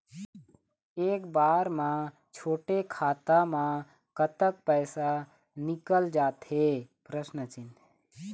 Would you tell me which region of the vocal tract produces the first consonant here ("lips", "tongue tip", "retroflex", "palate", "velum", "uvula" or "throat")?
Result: velum